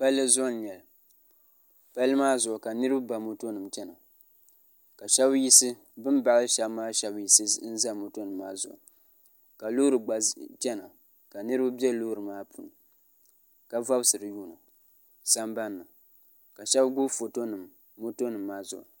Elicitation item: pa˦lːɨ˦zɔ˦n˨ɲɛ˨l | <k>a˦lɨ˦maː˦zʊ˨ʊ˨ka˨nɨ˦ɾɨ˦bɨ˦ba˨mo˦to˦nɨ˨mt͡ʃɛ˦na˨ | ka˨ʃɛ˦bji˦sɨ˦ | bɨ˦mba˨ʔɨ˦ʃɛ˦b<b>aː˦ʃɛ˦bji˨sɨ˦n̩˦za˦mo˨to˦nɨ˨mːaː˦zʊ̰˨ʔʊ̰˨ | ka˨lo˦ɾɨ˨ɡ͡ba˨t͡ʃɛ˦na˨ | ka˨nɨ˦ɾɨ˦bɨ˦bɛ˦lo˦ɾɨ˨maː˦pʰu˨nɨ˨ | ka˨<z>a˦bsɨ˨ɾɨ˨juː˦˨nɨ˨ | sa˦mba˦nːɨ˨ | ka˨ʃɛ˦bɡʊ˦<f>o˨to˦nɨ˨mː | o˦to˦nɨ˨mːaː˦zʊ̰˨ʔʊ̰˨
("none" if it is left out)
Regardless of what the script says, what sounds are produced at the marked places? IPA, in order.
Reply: p, m, v, f

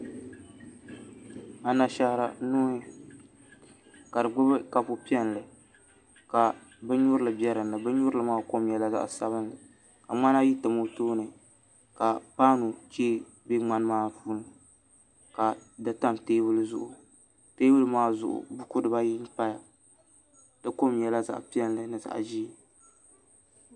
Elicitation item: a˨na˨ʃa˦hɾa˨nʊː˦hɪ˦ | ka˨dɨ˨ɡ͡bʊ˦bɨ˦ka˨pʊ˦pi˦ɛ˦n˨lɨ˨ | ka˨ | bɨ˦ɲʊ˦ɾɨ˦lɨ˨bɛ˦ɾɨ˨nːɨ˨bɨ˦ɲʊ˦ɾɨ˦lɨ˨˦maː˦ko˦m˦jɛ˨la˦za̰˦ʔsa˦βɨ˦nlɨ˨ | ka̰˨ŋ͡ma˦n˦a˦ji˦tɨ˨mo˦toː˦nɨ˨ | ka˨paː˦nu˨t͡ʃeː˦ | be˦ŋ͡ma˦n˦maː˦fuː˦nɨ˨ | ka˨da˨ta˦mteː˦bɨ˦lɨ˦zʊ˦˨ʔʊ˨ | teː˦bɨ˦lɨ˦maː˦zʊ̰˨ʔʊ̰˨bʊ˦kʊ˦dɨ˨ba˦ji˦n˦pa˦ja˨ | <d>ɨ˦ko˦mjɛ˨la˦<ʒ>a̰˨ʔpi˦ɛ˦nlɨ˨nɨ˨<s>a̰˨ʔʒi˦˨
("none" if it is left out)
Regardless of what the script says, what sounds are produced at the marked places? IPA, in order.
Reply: d, z, z

